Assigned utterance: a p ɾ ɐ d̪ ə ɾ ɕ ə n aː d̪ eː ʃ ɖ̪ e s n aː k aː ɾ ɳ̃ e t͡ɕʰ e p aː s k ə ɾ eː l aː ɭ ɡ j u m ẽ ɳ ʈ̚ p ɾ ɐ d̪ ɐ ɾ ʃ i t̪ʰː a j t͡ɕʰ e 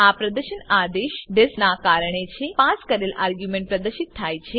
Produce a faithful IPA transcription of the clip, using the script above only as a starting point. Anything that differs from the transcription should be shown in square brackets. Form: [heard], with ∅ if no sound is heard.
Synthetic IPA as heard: a p ɾ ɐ d̪ ə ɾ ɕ ə n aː d̪ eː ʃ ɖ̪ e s n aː k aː ɾ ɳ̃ e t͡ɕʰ e p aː s k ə ɾ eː l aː [ɾ] ɡ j u m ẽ ɳ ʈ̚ p ɾ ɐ d̪ [ə] ɾ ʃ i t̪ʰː a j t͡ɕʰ e

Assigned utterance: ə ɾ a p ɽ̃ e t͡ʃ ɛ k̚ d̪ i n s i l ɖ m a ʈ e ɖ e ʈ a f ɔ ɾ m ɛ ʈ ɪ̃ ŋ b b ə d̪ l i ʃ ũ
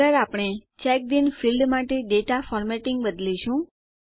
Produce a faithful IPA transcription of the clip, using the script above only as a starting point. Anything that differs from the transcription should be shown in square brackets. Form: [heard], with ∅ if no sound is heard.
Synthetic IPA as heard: ə ɾ a p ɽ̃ e t͡ʃ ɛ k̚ d̪ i n [f] i l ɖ m a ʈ e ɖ e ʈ a f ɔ ɾ m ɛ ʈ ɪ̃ ŋ [ɡ] b ə d̪ l i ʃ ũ

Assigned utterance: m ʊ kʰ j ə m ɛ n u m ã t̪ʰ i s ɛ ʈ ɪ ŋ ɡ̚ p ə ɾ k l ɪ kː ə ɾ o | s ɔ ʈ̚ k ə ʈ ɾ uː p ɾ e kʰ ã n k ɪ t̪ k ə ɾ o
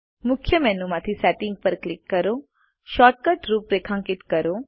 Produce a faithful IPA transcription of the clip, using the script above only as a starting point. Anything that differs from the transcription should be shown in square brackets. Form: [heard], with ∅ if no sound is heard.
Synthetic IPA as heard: m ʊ kʰ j ə m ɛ n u m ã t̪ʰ i s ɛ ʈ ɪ ŋ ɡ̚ p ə ɾ k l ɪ kː ə ɾ o | [ʃ] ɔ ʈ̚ k ə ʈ ɾ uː p ɾ e kʰ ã [ŋ] k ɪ t̪ k ə ɾ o

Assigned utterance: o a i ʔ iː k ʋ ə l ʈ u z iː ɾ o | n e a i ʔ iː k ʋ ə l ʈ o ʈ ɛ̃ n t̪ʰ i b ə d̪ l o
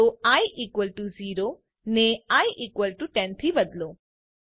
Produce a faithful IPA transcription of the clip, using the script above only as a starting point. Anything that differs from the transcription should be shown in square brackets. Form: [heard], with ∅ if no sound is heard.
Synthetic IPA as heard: o a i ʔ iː k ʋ ə l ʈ u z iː ɾ o | n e a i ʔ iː k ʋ ə l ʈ [u] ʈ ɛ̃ n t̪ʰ i b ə d̪ l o

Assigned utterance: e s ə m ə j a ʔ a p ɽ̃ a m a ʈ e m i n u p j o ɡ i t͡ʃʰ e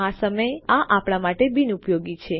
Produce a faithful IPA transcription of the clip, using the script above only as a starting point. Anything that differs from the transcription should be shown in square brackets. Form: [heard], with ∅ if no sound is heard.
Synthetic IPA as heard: [a] s ə m ə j a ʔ a p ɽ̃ a m a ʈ e [b] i n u p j o ɡ i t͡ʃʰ e

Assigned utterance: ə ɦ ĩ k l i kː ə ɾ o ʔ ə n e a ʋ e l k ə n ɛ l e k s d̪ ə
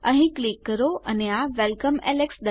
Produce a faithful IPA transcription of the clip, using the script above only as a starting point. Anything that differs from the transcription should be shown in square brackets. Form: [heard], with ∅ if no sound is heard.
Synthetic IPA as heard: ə ɦ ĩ k l i kː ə ɾ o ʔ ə n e a ʋ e l k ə [m] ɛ l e k s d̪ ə

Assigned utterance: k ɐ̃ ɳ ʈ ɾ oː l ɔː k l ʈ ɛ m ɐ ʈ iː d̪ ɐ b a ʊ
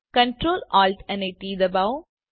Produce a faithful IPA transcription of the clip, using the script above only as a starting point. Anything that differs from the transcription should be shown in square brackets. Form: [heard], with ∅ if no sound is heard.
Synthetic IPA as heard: k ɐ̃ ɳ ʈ ɾ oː l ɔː [∅] l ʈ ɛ [n] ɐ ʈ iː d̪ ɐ b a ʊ

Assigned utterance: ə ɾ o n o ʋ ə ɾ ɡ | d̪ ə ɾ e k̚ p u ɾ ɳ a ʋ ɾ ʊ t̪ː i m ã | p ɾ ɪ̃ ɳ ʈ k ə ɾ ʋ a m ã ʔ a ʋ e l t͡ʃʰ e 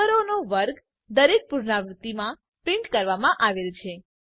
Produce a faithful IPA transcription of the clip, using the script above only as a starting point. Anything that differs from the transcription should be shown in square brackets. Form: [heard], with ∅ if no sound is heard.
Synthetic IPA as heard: ə ɾ o n o ʋ ə ɾ ɡ | d̪ ə ɾ e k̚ p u ɾ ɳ a ʋ ɾ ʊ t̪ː i m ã | p ɾ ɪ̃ ɳ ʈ k ə ɾ ʋ a m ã ʔ a ʋ e l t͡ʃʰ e

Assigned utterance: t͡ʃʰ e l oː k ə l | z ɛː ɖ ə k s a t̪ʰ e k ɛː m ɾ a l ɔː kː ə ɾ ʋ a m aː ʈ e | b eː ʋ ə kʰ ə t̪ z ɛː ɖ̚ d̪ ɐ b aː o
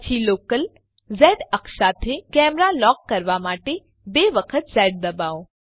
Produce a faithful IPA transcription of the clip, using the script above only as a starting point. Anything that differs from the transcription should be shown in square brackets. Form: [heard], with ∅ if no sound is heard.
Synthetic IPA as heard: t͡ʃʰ [i] l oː k ə l | z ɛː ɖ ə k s a t̪ʰ e k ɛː m ɾ a l ɔː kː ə ɾ ʋ a m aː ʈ e | b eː ʋ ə kʰ ə t̪ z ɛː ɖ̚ d̪ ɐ b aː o

